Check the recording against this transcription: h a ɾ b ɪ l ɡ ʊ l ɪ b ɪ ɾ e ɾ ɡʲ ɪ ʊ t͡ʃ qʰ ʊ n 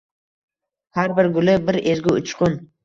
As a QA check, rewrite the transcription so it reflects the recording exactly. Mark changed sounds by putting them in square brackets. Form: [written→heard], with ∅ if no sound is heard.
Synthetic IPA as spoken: h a ɾ b ɪ [l→ɾ] ɡ ʊ l ɪ b ɪ ɾ e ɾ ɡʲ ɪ ʊ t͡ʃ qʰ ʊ n

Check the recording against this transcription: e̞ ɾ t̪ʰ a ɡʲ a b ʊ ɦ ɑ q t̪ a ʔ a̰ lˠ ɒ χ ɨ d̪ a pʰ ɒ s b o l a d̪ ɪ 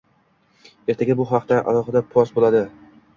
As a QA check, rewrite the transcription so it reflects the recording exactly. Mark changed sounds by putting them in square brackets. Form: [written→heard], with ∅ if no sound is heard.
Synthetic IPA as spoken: e̞ ɾ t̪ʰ a ɡʲ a b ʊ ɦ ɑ q t̪ a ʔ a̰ lˠ ɒ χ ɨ d̪ a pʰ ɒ s b o l a d̪ ɪ

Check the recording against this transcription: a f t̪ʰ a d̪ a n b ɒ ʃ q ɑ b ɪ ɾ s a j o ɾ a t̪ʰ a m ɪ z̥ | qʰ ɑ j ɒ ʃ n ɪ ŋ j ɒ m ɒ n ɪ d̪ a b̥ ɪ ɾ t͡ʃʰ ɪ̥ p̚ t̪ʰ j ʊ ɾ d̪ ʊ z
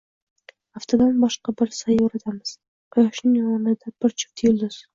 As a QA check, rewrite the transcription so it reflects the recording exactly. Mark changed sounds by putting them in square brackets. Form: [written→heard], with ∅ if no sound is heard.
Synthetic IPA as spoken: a f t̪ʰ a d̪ a n b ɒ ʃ q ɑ b ɪ ɾ s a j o ɾ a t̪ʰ a m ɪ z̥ | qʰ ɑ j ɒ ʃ n ɪ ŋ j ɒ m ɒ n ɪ d̪ a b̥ ɪ ɾ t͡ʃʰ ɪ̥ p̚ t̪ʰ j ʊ [ɾ→l] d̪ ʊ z

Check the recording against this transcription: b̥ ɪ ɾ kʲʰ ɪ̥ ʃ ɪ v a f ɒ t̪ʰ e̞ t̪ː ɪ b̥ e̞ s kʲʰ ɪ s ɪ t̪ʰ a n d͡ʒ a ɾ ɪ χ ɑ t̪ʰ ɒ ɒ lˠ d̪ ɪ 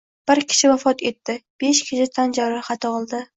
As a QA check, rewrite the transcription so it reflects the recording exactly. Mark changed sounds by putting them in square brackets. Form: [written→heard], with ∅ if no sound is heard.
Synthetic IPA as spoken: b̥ ɪ ɾ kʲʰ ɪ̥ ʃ ɪ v a f ɒ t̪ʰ e̞ t̪ː ɪ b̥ e̞ [s→ʃ] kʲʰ ɪ [s→ʃ] ɪ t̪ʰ a n d͡ʒ a ɾ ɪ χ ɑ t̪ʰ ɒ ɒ lˠ d̪ ɪ

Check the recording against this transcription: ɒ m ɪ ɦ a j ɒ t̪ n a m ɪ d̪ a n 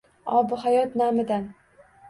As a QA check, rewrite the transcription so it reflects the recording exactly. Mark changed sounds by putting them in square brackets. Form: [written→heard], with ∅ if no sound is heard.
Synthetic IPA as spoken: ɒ [m→b] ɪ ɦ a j ɒ t̪ n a m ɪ d̪ a n

